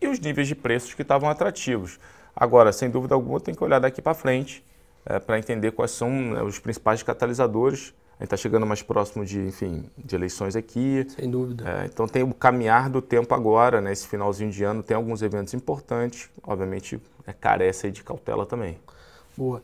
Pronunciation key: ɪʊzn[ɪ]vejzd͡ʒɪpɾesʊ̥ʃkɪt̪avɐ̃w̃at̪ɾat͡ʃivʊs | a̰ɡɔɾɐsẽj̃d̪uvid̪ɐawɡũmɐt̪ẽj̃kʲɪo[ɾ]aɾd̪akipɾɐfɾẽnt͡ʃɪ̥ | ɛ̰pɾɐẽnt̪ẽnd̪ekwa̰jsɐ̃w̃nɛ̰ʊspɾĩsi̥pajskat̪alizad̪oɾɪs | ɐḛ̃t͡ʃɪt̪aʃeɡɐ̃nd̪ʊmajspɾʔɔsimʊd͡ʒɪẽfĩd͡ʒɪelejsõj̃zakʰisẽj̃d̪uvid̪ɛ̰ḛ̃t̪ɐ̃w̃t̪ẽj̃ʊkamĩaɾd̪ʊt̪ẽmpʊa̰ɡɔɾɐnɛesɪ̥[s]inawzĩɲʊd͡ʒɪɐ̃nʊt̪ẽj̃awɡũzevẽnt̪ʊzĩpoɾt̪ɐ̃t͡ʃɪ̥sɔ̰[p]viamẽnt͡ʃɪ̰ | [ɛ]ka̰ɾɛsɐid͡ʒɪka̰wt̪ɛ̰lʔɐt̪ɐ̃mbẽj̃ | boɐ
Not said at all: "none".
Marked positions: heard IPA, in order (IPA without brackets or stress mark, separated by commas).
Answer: i, ʎ, f, b, ɛ